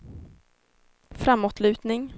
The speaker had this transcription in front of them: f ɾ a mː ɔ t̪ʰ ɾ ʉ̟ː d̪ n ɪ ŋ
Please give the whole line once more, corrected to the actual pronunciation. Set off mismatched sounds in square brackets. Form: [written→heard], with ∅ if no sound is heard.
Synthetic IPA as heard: f ɾ a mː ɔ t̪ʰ [ɾ→l] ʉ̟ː [d̪→t̪] n ɪ ŋ

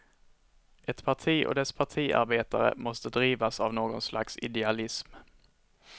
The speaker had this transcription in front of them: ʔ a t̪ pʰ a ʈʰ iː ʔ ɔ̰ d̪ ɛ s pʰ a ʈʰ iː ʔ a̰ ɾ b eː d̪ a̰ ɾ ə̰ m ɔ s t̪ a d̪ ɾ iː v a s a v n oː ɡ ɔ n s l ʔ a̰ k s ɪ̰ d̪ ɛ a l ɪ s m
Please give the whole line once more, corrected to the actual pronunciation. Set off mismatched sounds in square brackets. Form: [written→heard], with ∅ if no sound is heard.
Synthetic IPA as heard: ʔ [a→ɛ] t̪ pʰ a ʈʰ iː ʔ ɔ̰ d̪ ɛ s pʰ a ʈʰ iː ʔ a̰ ɾ b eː [d̪→t̪] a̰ ɾ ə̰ m ɔ s t̪ [a→ə] d̪ ɾ iː v a s a v n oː ɡ ɔ n s l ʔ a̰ k s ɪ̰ d̪ ɛ a l ɪ s m

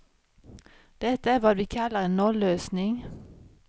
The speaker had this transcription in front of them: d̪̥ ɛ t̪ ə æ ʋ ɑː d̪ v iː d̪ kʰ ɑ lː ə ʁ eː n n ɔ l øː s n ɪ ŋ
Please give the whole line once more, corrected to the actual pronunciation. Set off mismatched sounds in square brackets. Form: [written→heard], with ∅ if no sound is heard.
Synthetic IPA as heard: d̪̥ ɛ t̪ ə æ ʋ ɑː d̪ [v→ʋ] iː [d̪→∅] kʰ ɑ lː ə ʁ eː n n ɔ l øː s n ɪ ŋ

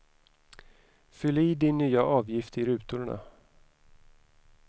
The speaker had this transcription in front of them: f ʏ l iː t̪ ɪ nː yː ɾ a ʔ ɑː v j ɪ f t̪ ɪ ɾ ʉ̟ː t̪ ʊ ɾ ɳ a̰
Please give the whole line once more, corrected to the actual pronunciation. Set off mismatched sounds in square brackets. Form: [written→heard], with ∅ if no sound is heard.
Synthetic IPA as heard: f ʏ l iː [t̪→d̪] ɪ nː yː [ɾ→∅] a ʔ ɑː v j ɪ f t̪ ɪ ɾ ʉ̟ː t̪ ʊ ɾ ɳ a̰

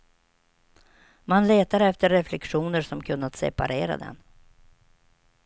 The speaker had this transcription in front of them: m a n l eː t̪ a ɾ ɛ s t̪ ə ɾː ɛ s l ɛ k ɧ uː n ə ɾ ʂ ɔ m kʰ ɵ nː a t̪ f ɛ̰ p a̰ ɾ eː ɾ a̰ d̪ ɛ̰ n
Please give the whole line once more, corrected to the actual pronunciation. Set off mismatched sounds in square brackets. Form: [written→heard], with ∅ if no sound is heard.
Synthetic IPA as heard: m a n l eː t̪ a ɾ ɛ [s→f] t̪ ə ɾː ɛ [s→f] l ɛ k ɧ uː n ə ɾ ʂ ɔ m kʰ ɵ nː a t̪ [f→s] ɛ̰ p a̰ ɾ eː ɾ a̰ d̪ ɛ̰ n

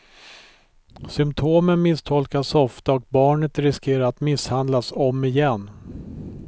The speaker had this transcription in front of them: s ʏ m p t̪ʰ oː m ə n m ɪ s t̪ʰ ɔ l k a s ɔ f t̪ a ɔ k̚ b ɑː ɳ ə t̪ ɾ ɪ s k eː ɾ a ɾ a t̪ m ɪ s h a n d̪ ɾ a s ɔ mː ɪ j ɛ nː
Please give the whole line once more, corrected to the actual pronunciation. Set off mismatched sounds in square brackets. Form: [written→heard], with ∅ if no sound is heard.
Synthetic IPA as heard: s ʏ m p t̪ʰ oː m ə n m ɪ s t̪ʰ ɔ l k a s ɔ f t̪ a ɔ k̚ b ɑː ɳ ə t̪ ɾ ɪ s k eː ɾ a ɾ a t̪ m ɪ s h a n d̪ [ɾ→l] a s ɔ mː ɪ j ɛ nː

